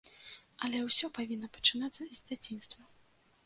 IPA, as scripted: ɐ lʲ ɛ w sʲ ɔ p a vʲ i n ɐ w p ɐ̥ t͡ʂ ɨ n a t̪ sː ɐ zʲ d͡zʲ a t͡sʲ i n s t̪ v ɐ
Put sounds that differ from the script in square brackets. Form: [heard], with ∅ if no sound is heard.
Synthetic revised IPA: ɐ lʲ ɛ w sʲ ɔ p a vʲ i [nː] ɐ [∅] p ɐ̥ t͡ʂ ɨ n a t̪ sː ɐ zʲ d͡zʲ a t͡sʲ i n s t̪ v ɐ